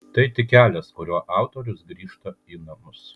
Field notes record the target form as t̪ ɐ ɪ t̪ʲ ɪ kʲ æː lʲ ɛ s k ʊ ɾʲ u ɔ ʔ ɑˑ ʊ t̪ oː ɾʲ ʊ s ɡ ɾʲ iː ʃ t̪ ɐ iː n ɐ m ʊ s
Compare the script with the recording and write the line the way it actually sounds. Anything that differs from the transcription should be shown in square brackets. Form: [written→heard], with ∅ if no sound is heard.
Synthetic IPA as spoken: t̪ ɐ ɪ t̪ʲ ɪ kʲ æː lʲ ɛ s k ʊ ɾʲ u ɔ ʔ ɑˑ ʊ t̪ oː ɾʲ ʊ s ɡ ɾʲ iː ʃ t̪ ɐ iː n ɐ m ʊ s